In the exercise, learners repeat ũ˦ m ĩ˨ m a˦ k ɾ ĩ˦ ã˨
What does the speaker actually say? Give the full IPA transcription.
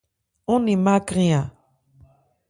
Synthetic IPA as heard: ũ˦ n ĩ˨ m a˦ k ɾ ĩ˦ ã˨